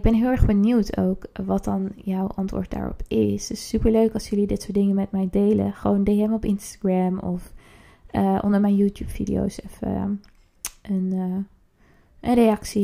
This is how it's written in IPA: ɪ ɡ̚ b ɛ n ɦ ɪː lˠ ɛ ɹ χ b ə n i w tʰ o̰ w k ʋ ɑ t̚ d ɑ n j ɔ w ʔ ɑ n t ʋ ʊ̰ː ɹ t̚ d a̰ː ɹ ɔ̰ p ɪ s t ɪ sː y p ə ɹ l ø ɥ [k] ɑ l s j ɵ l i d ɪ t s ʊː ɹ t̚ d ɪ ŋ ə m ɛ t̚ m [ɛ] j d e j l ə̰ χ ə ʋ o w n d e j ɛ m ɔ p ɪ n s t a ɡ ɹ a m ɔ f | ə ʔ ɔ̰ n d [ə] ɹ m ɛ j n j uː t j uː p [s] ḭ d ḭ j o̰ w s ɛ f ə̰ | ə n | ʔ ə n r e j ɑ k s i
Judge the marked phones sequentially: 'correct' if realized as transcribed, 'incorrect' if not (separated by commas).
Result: correct, correct, correct, incorrect